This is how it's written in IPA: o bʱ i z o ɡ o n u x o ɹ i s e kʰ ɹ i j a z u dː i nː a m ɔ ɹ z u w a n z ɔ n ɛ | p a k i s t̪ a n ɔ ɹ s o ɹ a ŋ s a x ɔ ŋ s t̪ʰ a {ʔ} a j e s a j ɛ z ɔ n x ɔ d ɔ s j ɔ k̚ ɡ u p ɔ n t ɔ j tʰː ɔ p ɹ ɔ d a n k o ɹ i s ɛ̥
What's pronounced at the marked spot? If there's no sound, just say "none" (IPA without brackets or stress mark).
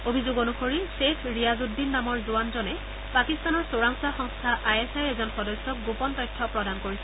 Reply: ʔ